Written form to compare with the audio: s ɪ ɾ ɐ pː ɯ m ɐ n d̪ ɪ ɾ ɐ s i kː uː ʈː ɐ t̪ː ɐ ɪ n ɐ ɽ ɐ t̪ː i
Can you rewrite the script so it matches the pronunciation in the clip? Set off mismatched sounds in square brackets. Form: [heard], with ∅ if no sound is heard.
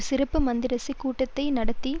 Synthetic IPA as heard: s ɪ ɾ ɐ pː ɯ m ɐ n d̪ ɪ ɾ ɐ s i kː uː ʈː ɐ t̪ː ɐ ɪ n ɐ ɽ ɐ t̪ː i